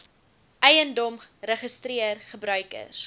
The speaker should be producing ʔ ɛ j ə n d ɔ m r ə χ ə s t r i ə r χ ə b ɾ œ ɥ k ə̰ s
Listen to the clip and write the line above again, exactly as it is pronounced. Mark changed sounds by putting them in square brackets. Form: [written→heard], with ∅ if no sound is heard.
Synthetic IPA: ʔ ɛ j ə n d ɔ m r ə χ ə s t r i ə r χ ə b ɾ œ ɥ k ə̰ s